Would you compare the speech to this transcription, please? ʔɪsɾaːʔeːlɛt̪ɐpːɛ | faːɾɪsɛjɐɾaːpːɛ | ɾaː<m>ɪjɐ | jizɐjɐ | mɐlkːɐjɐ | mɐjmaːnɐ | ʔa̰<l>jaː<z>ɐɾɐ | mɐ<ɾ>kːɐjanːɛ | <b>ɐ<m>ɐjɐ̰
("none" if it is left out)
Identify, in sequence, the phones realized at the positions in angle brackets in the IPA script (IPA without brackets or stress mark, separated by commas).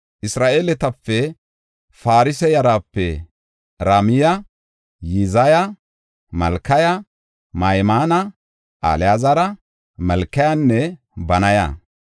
m, l, z, l, b, n